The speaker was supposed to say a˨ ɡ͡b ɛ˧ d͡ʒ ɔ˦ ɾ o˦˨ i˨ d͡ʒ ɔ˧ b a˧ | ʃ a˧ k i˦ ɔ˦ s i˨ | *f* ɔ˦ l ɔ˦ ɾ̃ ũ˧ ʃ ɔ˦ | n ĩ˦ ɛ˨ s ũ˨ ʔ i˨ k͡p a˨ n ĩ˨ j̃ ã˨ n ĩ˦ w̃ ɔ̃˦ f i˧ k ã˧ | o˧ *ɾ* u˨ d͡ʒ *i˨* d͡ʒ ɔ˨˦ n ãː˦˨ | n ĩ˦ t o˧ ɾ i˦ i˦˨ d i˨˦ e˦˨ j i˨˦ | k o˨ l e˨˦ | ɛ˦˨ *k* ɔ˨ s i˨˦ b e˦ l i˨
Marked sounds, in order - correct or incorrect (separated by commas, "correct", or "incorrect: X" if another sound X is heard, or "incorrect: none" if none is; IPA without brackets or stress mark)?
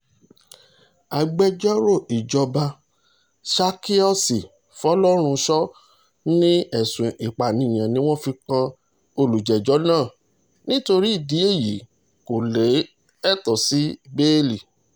correct, incorrect: l, incorrect: ɛ˨, incorrect: t